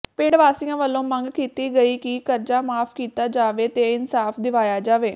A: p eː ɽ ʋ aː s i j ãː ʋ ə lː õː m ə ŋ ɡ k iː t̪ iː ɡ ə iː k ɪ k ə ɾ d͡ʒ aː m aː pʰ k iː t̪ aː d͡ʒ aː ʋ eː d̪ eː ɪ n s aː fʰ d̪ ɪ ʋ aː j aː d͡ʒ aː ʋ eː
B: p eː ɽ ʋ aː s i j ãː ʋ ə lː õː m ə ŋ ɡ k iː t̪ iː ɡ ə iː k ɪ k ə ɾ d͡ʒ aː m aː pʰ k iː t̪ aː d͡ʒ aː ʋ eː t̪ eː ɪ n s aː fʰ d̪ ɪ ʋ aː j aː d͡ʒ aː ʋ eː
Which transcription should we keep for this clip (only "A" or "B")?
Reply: B